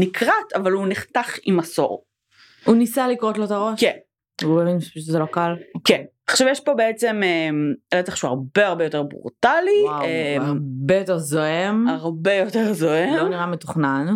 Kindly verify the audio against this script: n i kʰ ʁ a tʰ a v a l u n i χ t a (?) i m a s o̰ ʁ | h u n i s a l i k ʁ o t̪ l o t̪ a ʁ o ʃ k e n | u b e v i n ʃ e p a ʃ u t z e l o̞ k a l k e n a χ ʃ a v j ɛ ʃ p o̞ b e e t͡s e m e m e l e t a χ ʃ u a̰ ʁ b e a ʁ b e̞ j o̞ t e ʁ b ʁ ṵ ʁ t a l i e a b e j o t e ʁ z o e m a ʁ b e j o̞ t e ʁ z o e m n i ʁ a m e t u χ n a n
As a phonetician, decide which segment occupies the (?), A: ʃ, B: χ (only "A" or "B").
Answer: B